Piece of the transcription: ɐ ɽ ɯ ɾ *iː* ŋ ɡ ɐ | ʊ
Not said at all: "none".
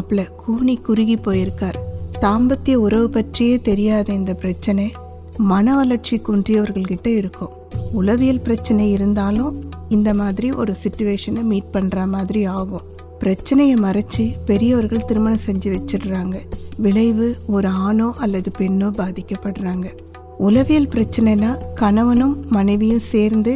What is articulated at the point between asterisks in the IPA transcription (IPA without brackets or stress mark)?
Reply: aː